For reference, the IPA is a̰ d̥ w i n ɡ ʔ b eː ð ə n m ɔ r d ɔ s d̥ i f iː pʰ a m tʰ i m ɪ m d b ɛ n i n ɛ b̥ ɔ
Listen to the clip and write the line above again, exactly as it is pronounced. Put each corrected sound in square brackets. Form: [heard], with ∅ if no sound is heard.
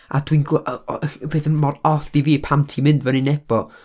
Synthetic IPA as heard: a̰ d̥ w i n ɡ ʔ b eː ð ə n m ɔ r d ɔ [θ] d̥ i [v] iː pʰ a m tʰ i m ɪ [n] d [v] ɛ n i n ɛ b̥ ɔ